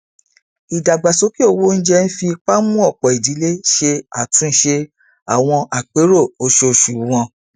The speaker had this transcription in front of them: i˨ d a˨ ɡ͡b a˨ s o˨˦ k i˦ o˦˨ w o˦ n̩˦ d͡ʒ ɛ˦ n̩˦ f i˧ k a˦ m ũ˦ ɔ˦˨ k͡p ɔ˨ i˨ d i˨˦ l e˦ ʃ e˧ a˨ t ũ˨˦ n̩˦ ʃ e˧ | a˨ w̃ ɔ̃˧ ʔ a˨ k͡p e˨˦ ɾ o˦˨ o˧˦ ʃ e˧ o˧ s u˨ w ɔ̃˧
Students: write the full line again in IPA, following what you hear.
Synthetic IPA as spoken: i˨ d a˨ ɡ͡b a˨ s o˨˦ k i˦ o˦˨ w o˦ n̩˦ d͡ʒ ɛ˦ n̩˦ f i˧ k͡p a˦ m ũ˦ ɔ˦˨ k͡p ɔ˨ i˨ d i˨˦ l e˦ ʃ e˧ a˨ t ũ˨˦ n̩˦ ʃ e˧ | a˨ w̃ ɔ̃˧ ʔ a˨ k͡p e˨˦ ɾ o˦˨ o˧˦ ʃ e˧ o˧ ʃ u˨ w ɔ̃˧